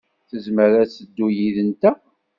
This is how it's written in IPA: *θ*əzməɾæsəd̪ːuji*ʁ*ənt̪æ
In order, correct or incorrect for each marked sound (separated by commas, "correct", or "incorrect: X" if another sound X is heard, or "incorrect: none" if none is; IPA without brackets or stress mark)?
correct, incorrect: ð